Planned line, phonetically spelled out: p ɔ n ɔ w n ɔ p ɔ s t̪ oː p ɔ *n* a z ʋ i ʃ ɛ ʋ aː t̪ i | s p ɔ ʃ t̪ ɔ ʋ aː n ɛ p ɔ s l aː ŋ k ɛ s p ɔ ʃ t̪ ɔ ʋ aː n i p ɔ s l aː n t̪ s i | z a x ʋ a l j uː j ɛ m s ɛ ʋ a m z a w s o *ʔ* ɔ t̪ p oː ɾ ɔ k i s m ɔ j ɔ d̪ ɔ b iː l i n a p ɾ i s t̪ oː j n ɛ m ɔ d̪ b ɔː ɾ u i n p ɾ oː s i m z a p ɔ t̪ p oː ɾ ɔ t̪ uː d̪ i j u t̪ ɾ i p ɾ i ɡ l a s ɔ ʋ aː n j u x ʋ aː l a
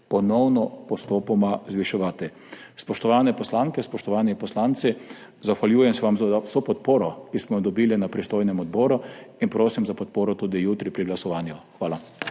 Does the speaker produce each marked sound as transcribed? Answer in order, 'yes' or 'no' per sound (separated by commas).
no, no